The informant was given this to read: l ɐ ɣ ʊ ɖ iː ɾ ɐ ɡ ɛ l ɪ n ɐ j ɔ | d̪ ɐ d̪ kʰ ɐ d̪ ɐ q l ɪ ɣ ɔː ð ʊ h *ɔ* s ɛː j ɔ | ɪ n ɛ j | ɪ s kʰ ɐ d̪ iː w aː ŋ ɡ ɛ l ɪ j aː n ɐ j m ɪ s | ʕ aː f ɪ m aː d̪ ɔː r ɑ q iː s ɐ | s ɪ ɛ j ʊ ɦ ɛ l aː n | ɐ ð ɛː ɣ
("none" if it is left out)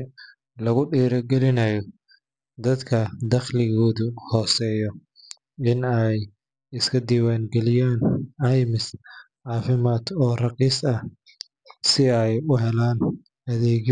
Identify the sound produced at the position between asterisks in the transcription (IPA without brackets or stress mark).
ɔː